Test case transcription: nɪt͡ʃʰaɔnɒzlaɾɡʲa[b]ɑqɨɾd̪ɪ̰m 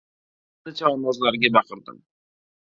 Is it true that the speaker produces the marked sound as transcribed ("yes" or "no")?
yes